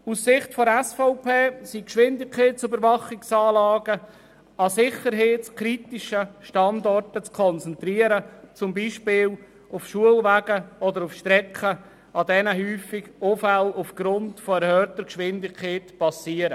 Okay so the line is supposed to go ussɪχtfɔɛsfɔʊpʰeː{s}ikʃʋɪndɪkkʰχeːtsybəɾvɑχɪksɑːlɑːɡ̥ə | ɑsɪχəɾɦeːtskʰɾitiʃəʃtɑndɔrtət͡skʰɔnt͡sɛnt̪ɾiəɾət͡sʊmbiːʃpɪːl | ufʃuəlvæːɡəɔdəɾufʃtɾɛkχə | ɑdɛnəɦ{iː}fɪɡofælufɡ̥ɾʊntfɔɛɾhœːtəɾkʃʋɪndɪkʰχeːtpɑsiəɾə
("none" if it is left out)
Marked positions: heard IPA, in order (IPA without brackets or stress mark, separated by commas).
s, yː